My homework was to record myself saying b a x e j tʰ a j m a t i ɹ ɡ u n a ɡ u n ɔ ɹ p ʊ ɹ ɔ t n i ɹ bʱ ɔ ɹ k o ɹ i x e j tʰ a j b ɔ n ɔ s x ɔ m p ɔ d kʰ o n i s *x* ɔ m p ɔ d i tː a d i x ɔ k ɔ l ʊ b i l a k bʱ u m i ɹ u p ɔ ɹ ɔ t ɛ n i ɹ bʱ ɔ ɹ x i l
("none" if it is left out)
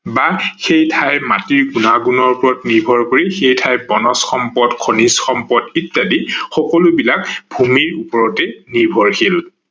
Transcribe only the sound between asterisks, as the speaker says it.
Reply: x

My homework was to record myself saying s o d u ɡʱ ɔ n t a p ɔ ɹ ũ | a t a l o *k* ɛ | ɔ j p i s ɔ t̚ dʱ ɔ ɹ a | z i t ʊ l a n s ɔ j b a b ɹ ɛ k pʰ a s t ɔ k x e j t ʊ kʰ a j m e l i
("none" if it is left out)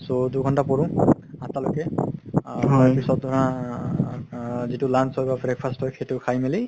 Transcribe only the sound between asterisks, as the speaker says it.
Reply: k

